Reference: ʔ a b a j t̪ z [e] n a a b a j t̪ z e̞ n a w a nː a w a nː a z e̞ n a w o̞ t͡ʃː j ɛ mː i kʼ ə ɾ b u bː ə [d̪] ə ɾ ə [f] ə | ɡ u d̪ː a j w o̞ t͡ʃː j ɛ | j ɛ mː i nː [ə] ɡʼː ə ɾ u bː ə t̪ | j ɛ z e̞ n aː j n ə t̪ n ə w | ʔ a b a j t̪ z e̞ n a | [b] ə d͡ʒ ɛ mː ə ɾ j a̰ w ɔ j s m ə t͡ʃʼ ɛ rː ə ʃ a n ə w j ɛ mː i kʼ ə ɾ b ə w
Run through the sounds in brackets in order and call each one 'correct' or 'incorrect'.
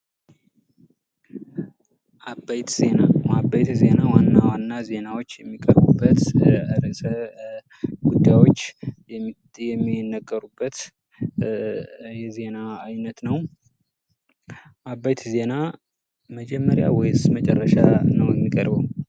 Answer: correct, incorrect: t̪, incorrect: s, correct, incorrect: m

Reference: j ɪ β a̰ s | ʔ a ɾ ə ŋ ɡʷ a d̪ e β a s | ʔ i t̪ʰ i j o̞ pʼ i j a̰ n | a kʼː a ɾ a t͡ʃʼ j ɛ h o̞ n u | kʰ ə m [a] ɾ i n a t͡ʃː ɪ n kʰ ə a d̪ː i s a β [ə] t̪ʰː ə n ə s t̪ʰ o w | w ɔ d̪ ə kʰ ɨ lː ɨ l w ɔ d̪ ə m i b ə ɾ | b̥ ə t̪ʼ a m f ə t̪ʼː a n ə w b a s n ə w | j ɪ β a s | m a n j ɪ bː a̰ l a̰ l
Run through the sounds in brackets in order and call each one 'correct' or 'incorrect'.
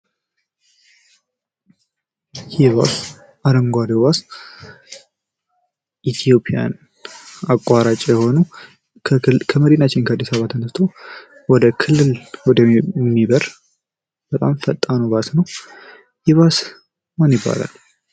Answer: incorrect: ə, incorrect: a

